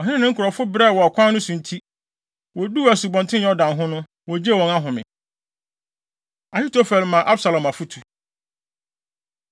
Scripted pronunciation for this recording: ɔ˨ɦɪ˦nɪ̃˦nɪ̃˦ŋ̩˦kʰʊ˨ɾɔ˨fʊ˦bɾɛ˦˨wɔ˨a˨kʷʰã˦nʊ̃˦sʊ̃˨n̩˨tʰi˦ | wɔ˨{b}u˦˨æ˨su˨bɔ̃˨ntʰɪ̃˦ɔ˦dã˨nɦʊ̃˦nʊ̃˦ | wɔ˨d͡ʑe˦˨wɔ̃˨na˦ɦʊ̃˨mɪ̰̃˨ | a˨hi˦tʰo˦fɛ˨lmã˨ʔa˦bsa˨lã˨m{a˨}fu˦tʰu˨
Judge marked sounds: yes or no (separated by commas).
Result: no, yes